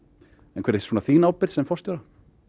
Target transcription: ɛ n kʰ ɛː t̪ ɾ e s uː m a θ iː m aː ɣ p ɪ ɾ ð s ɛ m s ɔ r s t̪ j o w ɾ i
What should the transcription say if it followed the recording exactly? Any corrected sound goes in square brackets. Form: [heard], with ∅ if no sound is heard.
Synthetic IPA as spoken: ɛ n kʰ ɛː [∅] ɾ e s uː [n] a θ iː [n] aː [w] p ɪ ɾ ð s ɛ m [f] ɔ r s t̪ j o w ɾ [a]